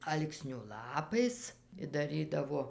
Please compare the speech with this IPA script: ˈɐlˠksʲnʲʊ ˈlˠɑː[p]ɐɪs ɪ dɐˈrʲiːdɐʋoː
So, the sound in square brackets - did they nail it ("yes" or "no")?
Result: yes